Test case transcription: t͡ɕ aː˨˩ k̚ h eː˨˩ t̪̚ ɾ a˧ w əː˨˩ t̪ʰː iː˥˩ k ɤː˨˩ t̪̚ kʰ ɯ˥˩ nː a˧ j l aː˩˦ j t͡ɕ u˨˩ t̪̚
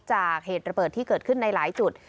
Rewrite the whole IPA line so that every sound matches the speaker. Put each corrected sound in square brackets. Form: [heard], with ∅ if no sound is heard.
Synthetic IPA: t͡ɕ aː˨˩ k̚ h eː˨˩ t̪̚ ɾ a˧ [b] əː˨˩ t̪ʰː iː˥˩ k ɤː˨˩ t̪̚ kʰ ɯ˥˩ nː a˧ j l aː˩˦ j t͡ɕ u˨˩ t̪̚